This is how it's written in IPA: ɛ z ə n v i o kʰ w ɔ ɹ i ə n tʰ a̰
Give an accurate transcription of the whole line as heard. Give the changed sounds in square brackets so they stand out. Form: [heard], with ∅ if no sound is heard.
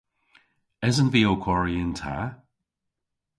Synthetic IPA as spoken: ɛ z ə n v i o kʰ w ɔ ɹ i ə n tʰ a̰